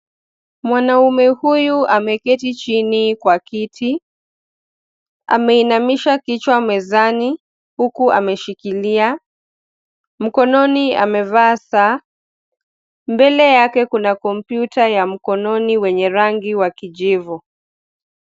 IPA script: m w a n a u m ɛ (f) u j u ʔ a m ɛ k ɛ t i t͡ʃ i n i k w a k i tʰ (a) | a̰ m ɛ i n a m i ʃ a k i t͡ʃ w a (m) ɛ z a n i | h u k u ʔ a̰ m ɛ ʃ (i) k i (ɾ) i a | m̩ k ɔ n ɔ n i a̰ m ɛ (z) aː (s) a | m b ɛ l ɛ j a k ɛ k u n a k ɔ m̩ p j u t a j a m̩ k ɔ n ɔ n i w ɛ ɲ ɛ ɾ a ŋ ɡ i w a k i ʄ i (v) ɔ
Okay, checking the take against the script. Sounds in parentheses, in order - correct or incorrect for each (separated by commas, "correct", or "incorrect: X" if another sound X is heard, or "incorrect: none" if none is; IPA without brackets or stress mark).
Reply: incorrect: h, incorrect: i, correct, correct, incorrect: l, incorrect: v, correct, correct